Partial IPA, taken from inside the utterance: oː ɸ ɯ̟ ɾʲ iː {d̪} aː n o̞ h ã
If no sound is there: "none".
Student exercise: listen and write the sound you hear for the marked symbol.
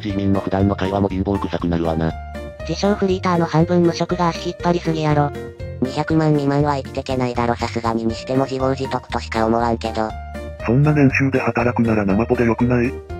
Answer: t̪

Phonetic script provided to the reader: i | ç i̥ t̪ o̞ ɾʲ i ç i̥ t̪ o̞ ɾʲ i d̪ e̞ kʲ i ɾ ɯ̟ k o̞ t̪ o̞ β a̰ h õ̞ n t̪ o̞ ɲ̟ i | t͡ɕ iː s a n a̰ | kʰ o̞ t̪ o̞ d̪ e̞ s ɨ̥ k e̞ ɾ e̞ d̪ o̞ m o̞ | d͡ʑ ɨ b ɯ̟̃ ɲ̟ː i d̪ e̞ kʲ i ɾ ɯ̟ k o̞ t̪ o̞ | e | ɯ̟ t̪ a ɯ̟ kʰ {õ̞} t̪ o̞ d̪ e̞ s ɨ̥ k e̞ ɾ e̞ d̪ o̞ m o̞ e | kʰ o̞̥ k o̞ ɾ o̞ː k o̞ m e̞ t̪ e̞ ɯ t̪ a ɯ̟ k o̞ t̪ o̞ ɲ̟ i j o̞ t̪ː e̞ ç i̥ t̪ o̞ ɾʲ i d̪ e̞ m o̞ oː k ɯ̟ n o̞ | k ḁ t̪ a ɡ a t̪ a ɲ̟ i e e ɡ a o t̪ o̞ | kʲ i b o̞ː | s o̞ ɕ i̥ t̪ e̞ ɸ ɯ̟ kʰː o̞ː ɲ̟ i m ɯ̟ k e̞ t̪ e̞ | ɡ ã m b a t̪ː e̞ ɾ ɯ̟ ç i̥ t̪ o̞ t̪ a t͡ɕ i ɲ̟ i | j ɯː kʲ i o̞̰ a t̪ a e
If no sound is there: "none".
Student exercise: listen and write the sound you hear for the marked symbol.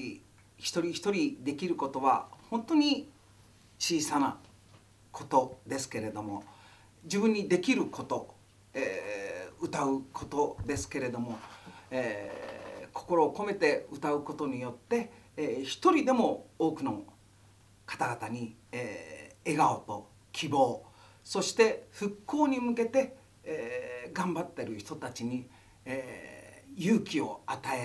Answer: o̞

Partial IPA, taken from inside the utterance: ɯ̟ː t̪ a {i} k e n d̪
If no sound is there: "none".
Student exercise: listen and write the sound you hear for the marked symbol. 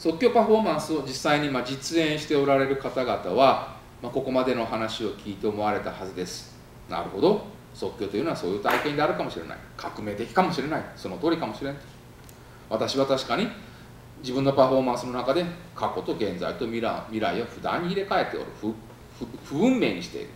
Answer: i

